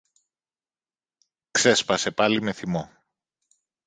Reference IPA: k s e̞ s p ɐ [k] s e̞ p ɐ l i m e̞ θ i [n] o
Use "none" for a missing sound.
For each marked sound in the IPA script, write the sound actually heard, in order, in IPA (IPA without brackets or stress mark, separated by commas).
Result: none, m